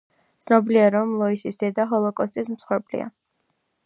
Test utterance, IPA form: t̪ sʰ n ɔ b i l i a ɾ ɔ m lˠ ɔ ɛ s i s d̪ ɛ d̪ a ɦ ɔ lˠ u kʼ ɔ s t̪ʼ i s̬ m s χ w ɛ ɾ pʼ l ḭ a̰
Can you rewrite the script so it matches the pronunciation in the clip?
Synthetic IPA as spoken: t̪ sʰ n ɔ b i l i a ɾ ɔ m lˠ ɔ i s i s d̪ ɛ d̪ a ɦ ɔ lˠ ɔ kʼ ɔ s t̪ʼ i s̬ m s χ w ɛ ɾ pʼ l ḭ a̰